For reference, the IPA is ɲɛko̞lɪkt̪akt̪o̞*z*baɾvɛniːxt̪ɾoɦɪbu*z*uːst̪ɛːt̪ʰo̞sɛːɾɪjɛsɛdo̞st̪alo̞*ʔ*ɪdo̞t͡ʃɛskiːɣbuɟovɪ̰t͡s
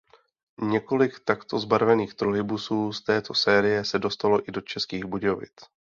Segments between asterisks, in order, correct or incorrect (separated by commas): correct, incorrect, correct